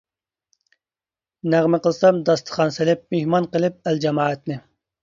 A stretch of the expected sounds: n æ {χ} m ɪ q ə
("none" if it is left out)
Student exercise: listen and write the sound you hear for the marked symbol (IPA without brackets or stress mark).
ʁ